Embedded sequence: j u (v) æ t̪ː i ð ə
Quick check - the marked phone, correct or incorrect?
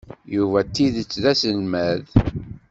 correct